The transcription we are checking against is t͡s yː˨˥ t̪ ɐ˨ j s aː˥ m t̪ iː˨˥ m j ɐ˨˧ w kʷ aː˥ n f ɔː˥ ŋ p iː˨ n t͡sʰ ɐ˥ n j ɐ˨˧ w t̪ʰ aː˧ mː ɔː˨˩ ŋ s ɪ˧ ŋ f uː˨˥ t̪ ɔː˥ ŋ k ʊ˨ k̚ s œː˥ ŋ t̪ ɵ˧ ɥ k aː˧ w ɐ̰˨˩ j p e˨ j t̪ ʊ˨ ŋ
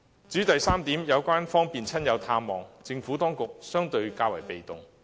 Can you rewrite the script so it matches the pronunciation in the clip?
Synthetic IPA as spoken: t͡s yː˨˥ t̪ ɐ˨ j s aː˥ m t̪ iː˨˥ m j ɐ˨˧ w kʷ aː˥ n f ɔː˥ ŋ p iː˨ n t͡sʰ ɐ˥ n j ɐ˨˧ w t̪ʰ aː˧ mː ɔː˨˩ ŋ t͡s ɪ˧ ŋ f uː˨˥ t̪ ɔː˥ ŋ k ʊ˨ k̚ s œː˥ ŋ t̪ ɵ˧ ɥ k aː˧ w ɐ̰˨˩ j p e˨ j t̪ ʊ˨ ŋ